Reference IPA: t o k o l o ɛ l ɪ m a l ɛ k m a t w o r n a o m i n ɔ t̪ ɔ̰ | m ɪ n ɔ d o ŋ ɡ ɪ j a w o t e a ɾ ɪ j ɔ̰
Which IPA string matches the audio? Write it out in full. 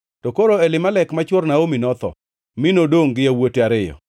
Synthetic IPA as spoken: t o k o ɾ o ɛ l ɪ m a l ɛ k m a t͡ʃ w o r n a o m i n ɔ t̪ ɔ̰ | m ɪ n o d o ŋ ɡ ɪ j a w o t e a ɾ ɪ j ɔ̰

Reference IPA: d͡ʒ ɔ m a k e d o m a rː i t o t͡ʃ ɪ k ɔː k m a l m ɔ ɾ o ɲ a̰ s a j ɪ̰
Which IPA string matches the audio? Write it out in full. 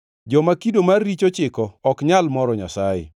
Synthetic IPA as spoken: d͡ʒ ɔ m a k i d o m a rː i t͡ʃ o t͡ʃ ɪ k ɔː k ɲ a l m ɔ ɾ ɔ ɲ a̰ s a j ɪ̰

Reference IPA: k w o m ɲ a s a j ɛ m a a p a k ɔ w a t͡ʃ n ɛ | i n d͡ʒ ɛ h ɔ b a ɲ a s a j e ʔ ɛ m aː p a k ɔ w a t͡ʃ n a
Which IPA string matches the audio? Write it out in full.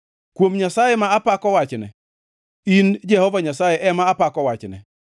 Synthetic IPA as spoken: k w o m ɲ a s a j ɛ m a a p a k ɔ w a t͡ʃ n ɛ | i n d͡ʒ ɛ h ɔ v a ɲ a s a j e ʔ ɛ m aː p a k ɔ w a t͡ʃ n ɛ

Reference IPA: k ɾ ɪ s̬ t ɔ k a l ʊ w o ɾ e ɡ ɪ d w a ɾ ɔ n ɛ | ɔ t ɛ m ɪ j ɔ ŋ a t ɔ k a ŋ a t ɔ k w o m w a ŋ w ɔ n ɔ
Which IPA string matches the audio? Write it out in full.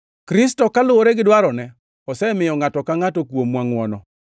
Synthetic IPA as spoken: k ɾ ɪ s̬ t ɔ k a l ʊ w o ɾ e ɡ ɪ d w a ɾ ɔ n ɛ | ɔ s ɛ m ɪ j ɔ ŋ a t ɔ k a ŋ a t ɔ k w o m w a ŋ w ɔ n ɔ

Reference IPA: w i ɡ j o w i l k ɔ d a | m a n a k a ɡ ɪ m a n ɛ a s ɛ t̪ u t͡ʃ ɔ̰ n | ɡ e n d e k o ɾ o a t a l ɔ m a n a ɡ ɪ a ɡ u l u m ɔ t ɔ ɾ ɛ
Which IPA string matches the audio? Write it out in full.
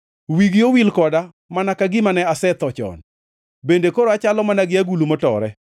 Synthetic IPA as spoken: w i ɡ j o w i l k ɔ d a | m a n a k a ɡ ɪ m a n ɛ a s ɛ t̪ ɔ t͡ʃ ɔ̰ n | b e n d e k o ɾ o a t͡ʃ a l ɔ m a n a ɡ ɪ a ɡ u l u m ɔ t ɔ ɾ ɛ

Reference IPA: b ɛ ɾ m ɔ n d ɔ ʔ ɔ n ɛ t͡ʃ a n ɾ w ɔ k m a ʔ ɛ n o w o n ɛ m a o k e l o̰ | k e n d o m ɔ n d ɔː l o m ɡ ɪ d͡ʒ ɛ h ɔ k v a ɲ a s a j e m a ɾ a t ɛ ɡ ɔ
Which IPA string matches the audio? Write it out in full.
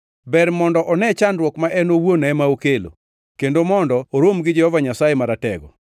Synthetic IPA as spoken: b ɛ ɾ m ɔ n d ɔ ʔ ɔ n ɛ t͡ʃ a n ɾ w ɔ k m a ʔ ɛ n o w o n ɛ m a o k e l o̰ | k e n d o m ɔ n d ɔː ɾ o m ɡ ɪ d͡ʒ ɛ h ɔ v a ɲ a s a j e m a ɾ a t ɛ ɡ ɔ

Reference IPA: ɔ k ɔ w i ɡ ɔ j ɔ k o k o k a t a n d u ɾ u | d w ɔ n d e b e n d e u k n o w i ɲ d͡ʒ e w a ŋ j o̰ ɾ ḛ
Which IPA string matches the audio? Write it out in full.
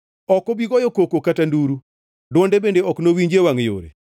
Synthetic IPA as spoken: ɔ k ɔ b i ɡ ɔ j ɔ k o k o k a t a n d u ɾ u | d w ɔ n d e b e n d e ɔ k n o w i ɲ d͡ʒ e w a ŋ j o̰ ɾ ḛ

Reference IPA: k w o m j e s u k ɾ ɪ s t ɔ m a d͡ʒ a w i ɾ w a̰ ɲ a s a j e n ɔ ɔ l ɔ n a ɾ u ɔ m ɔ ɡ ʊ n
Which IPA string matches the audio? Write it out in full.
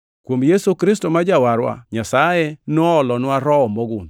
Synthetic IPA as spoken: k w o m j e s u k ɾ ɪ s t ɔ m a d͡ʒ a w a ɾ w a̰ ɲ a s a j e n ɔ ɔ l ɔ n a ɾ ɔ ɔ m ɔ ɡ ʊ n

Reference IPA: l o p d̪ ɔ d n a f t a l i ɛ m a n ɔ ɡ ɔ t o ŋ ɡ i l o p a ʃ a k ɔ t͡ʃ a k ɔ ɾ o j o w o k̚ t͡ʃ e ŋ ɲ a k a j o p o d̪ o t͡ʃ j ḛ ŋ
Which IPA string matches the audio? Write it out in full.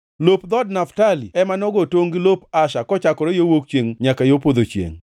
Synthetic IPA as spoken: l o p d̪ ɔ d n a f t a l i ɛ m a n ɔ ɡ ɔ t o ŋ ɡ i l o p a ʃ a k ɔ t͡ʃ a k ɔ ɾ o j o w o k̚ t͡ʃ e ŋ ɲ a k a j o p o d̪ o t͡ʃ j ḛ ŋ

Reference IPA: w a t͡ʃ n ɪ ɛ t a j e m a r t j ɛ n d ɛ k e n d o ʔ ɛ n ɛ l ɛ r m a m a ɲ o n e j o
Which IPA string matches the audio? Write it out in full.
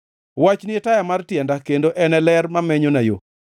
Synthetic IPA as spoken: w a t͡ʃ n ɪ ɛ t a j a m a r t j ɛ n d a k e n d o ʔ ɛ n ɛ l ɛ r m a m ɛ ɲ o n a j o

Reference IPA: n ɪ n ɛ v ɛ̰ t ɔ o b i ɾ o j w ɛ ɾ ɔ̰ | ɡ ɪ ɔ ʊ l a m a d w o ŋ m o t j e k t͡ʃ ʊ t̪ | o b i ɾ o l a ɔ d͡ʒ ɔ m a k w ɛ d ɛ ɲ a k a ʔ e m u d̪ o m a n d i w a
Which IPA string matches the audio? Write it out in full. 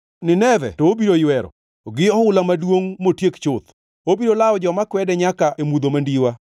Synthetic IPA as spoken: n ɪ n ɛ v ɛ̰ t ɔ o b i ɾ o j w ɛ ɾ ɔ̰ | ɡ ɪ ɔ ʊ l a m a d w o ŋ m o t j e k t͡ʃ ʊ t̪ | o b i ɾ o l a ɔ d͡ʒ ɔ m a k w ɛ d ɛ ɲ a k a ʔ e m u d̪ o m a n d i w a

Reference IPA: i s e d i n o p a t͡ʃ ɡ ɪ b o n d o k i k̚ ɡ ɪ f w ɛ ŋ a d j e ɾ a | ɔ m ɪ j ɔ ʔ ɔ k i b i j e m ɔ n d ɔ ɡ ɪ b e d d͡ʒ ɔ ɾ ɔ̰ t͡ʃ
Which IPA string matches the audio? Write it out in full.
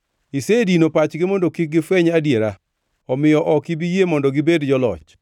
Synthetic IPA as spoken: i s e d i n o p a t͡ʃ ɡ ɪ m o n d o k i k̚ ɡ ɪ f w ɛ ɲ a d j e ɾ a | ɔ m ɪ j ɔ ʔ ɔ k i b i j e m ɔ n d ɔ ɡ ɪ b e d d͡ʒ ɔ l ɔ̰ t͡ʃ

